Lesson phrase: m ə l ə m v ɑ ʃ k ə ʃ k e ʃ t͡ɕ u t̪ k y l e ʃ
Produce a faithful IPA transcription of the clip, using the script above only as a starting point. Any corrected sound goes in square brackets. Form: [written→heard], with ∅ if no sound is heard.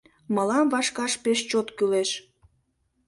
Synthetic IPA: m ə l [ə→ɑ] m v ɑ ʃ k [ə→ɑ] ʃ [k→p] e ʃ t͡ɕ [u→o] t̪ k y l e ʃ